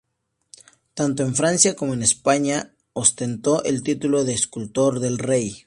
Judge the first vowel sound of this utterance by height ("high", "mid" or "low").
low